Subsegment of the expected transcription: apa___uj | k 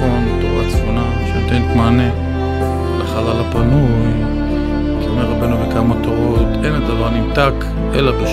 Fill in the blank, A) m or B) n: B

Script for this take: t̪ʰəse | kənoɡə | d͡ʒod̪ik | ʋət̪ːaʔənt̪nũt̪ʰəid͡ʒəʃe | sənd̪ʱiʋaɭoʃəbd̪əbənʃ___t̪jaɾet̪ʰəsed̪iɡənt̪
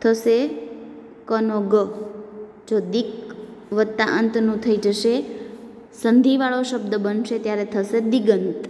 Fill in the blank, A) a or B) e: B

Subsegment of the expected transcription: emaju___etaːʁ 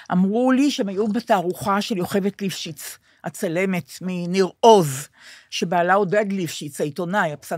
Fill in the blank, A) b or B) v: A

